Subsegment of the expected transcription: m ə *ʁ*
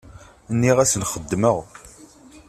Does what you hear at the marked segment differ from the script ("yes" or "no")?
no